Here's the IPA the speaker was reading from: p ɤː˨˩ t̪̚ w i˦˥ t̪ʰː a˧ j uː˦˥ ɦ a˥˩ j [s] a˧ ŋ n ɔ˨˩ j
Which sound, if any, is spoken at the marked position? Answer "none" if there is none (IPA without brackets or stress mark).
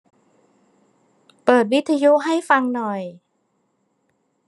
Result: f